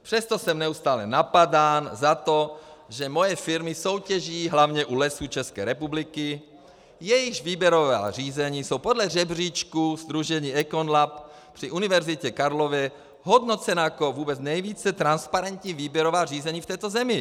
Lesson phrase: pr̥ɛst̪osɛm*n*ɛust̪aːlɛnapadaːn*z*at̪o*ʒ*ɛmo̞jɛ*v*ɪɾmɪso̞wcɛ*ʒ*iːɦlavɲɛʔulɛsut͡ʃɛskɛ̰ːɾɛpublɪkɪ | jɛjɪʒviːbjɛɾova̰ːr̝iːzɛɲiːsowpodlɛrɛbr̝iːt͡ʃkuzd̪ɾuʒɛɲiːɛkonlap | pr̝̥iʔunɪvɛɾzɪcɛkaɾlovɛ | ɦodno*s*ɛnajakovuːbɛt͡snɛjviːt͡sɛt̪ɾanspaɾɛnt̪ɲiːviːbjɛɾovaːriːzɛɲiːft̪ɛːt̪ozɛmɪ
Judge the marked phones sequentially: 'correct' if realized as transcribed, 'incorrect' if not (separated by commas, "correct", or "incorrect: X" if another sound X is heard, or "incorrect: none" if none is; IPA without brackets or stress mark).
correct, correct, correct, incorrect: f, correct, incorrect: t͡s